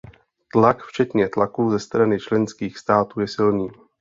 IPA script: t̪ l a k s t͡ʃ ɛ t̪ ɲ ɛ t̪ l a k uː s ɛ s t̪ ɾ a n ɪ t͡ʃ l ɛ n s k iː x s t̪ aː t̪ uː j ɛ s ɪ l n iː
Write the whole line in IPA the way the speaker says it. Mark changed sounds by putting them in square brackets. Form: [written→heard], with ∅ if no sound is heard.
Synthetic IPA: t̪ l a k [s→f] t͡ʃ ɛ t̪ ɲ ɛ t̪ l a k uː [s→z] ɛ s t̪ ɾ a n ɪ t͡ʃ l ɛ n s k iː x s t̪ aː t̪ uː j ɛ s ɪ l n iː